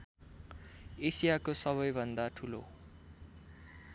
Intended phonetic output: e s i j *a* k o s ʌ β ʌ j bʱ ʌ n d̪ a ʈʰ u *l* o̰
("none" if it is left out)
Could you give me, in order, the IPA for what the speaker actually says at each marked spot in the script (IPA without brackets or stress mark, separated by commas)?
a, l